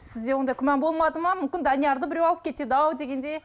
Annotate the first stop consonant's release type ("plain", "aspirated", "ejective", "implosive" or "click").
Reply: plain